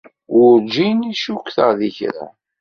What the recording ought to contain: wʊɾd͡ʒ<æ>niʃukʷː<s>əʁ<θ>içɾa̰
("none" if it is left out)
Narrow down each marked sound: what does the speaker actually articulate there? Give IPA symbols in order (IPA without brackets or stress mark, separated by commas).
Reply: i, θ, ð